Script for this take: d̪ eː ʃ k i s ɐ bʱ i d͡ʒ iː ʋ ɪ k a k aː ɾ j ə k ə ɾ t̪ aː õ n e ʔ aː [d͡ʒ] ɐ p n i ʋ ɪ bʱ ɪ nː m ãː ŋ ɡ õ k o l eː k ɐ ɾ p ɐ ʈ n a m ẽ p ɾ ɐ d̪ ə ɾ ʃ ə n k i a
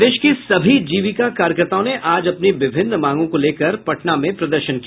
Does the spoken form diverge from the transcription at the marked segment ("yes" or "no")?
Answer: no